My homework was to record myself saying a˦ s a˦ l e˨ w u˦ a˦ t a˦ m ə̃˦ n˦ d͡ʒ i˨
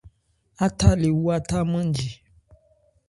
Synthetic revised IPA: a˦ t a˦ l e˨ w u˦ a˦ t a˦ m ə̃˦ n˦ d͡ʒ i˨